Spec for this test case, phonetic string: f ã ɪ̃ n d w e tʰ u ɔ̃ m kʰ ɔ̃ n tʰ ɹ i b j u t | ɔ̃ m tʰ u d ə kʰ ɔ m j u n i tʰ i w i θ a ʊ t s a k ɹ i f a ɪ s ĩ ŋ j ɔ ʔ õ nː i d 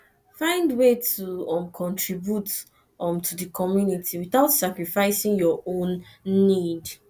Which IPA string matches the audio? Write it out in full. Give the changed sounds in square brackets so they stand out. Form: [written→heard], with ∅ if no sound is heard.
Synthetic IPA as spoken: f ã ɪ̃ n d w e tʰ u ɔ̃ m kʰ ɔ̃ n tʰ ɹ i b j u t | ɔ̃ m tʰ u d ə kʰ ɔ m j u n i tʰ i w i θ a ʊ t s a k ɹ i f a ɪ s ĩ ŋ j ɔ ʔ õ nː i d